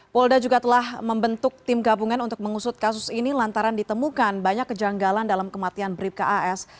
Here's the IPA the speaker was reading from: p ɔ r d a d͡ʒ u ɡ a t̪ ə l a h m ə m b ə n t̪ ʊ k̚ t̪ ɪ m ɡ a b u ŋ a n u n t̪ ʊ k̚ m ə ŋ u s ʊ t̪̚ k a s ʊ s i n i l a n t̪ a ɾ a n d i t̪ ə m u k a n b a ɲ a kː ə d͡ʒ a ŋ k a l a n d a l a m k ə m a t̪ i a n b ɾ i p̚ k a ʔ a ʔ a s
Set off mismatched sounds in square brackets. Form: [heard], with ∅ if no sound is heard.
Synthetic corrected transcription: p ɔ [l] d a d͡ʒ u ɡ a t̪ ə l a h m ə m b ə n t̪ ʊ k̚ t̪ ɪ m ɡ a b u ŋ a n u n t̪ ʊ k̚ m ə ŋ u s ʊ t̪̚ k a s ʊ s i n i l a n t̪ a ɾ a n d i t̪ ə m u k a n b a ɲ a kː ə d͡ʒ a ŋ [ɡ] a l a n d a l a m k ə m a t̪ i a n b ɾ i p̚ k a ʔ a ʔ [ɛ] s